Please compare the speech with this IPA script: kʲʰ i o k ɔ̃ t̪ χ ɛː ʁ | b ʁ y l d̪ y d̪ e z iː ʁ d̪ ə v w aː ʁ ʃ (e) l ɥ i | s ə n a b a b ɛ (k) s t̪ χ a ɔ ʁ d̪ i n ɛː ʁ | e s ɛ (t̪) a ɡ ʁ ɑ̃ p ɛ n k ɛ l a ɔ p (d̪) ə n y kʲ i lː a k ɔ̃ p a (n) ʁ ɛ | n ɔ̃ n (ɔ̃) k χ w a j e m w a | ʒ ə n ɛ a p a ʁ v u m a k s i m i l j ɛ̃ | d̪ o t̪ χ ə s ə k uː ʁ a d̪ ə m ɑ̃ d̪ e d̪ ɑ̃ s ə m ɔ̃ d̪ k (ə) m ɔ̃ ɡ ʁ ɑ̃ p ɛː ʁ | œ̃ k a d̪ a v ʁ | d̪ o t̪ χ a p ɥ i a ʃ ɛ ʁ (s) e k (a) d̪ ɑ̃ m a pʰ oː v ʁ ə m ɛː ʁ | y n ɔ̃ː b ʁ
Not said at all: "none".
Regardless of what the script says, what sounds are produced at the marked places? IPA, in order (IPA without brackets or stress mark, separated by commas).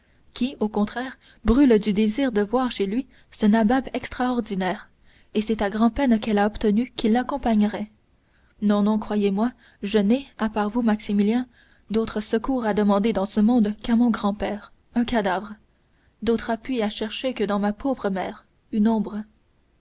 e, k, t̪, t̪, ɲ, ɔ̃, a, ʃ, ə